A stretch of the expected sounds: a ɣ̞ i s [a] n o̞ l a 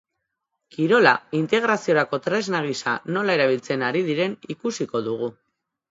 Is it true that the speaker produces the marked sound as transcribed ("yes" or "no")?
yes